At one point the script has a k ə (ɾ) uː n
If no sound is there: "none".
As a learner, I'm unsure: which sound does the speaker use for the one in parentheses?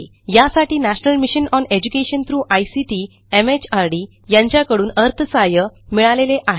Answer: ɽ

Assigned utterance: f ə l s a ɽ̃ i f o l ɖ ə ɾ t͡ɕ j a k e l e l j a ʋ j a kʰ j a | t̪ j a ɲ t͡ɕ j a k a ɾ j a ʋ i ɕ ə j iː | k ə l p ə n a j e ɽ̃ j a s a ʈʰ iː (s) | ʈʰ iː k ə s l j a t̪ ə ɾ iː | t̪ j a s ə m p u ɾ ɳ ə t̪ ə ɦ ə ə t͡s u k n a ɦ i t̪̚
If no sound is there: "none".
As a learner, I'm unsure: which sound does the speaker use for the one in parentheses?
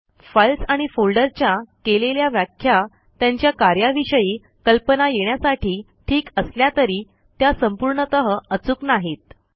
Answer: none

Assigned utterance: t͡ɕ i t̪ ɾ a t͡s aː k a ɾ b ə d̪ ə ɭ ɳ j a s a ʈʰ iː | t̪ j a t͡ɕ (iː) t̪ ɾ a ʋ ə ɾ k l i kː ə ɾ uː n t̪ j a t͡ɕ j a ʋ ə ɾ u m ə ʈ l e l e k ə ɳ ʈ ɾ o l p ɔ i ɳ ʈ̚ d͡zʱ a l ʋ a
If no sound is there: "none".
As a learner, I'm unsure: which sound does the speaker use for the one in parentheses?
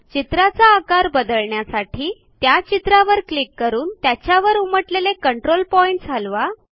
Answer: i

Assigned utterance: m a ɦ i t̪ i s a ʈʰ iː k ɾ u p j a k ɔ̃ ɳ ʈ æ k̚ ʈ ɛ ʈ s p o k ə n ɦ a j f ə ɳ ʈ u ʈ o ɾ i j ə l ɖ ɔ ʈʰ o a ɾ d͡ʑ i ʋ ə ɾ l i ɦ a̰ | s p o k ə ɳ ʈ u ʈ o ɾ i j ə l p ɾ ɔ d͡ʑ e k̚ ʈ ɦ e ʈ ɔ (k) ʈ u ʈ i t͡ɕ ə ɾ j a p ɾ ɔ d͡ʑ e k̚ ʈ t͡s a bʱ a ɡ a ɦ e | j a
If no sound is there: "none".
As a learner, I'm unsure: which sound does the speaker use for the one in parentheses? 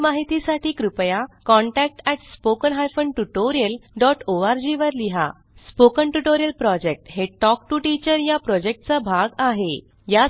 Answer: k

